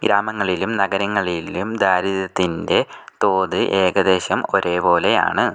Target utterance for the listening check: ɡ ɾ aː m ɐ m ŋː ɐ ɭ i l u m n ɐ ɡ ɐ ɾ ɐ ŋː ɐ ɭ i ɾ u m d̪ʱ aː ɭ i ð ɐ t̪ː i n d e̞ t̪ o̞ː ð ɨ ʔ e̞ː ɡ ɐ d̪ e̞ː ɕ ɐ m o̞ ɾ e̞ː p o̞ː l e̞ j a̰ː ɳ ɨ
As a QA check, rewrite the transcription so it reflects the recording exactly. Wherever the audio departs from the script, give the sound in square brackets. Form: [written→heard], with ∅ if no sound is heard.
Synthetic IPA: ɡ ɾ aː m ɐ [m→∅] ŋː ɐ ɭ i l u m n ɐ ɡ ɐ ɾ ɐ ŋː ɐ ɭ i [ɾ→l] u m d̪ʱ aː [ɭ→ɾ] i ð ɐ t̪ː i n d e̞ t̪ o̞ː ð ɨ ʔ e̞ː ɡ ɐ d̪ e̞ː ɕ ɐ m o̞ ɾ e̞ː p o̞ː l e̞ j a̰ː ɳ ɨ

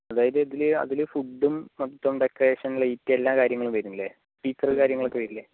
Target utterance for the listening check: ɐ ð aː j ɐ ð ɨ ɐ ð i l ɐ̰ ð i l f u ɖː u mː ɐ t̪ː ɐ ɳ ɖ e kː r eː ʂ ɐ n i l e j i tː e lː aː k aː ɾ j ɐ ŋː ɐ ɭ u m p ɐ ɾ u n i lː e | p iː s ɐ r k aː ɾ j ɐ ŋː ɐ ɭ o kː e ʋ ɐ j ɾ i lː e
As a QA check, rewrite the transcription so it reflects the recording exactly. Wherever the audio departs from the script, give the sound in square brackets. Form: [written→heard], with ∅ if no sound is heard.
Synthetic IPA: ɐ ð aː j ɐ ð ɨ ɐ ð i l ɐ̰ ð i l f u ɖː u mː ɐ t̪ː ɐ [ɳ→m] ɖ e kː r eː ʂ ɐ n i l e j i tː e lː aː k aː ɾ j ɐ ŋː ɐ ɭ u m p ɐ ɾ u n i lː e | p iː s ɐ r k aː ɾ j ɐ ŋː ɐ ɭ o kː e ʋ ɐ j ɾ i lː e

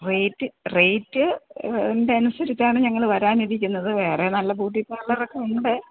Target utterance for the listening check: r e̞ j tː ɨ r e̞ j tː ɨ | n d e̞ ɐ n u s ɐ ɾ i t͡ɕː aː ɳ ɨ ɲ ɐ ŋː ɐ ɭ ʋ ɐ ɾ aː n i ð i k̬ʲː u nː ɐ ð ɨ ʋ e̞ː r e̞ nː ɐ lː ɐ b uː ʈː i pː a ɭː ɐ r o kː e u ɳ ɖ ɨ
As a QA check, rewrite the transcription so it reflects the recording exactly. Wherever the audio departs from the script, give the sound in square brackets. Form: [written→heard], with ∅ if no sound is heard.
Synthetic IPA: r e̞ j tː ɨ r e̞ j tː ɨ | n d e̞ ɐ n u s ɐ ɾ i t͡ɕː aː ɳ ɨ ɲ ɐ ŋː ɐ ɭ ʋ ɐ ɾ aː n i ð i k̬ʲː u nː ɐ ð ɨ ʋ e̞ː r e̞ [nː→n] ɐ lː ɐ b uː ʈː i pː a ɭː ɐ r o kː e u ɳ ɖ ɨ

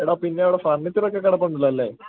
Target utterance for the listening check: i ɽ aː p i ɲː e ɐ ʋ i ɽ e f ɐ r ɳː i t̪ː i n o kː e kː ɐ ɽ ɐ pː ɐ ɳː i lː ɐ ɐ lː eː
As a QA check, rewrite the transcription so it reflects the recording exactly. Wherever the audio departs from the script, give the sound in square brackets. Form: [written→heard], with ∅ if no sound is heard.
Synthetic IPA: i ɽ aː p i [ɲː→nː] e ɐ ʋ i ɽ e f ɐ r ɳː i t̪ː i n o kː e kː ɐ ɽ ɐ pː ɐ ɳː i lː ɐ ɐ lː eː

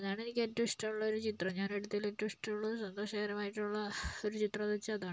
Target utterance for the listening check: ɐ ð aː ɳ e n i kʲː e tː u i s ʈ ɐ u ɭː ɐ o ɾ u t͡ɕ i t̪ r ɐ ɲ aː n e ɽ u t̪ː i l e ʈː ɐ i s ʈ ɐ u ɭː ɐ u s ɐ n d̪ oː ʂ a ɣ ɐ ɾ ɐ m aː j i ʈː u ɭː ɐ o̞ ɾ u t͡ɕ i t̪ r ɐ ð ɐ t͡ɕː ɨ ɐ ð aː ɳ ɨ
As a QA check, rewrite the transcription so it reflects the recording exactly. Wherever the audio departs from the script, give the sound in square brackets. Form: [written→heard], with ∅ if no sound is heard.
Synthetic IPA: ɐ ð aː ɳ e n i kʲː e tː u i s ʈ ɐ u ɭː ɐ o ɾ u t͡ɕ i t̪ r ɐ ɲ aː n e ɽ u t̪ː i l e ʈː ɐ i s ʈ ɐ u ɭː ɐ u s ɐ n d̪ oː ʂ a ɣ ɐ ɾ ɐ m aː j i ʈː u ɭː ɐ o̞ ɾ u t͡ɕ i t̪ r ɐ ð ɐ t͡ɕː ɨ ɐ ð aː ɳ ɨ

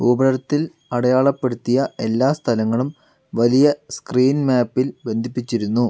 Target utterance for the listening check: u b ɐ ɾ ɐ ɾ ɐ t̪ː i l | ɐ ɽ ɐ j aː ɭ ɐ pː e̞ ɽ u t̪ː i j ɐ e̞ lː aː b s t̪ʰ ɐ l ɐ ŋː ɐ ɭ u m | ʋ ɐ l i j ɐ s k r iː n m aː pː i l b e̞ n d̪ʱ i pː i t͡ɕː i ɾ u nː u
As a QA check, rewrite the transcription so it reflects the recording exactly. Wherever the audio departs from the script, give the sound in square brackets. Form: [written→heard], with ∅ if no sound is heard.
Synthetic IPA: u b ɐ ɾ ɐ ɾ ɐ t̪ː i l | ɐ ɽ ɐ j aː ɭ ɐ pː e̞ ɽ u t̪ː i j ɐ e̞ lː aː [b→∅] s t̪ʰ ɐ l ɐ ŋː ɐ ɭ u m | ʋ ɐ l i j ɐ s k r iː n m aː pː i l b e̞ n d̪ʱ i pː i t͡ɕː i ɾ u nː u

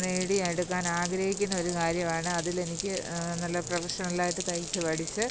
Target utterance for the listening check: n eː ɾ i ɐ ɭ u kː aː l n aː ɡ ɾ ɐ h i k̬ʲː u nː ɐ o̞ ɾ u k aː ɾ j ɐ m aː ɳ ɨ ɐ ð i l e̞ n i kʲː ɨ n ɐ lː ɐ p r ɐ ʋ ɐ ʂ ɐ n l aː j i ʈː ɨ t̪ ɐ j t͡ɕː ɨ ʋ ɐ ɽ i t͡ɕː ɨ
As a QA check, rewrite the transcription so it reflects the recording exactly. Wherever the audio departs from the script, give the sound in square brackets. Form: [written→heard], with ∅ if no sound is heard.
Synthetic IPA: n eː [ɾ→ɽ] i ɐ [ɭ→ɽ] u kː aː [l→∅] n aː ɡ ɾ ɐ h i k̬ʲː u nː ɐ o̞ ɾ u k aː ɾ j ɐ m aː ɳ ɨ ɐ ð i l e̞ n i kʲː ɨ n ɐ lː ɐ p r ɐ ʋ ɐ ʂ ɐ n l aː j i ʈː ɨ t̪ ɐ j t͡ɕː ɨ ʋ ɐ ɽ i t͡ɕː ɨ

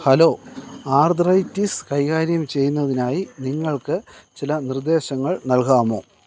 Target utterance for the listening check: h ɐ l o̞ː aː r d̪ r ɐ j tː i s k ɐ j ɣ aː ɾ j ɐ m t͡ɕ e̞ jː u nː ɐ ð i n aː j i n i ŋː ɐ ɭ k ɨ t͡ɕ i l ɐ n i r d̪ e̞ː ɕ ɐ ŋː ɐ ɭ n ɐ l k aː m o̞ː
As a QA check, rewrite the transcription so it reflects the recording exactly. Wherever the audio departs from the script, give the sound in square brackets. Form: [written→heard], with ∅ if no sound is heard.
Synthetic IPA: h ɐ l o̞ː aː r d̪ r ɐ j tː i s k ɐ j ɣ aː ɾ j ɐ m t͡ɕ e̞ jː u nː ɐ ð i n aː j i n i ŋː ɐ ɭ k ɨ t͡ɕ i l ɐ n i r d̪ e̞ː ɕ ɐ ŋː ɐ ɭ n ɐ l k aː m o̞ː

